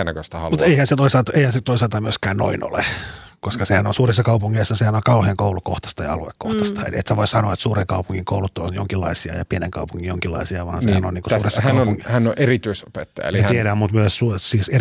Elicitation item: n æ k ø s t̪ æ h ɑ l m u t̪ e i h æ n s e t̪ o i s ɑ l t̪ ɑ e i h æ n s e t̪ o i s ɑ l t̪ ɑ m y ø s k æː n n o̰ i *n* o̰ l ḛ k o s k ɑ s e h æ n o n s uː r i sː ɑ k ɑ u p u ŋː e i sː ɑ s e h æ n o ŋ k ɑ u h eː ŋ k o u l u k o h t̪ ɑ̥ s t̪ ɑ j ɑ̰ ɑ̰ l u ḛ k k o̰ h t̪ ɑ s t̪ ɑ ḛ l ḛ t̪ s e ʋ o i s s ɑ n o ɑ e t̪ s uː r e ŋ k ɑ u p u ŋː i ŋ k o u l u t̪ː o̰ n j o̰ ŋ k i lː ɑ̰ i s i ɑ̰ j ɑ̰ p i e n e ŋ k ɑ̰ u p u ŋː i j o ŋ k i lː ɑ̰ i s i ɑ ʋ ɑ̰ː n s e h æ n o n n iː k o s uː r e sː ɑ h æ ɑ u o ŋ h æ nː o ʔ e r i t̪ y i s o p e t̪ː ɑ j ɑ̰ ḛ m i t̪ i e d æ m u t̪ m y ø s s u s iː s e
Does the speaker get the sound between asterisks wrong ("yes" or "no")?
no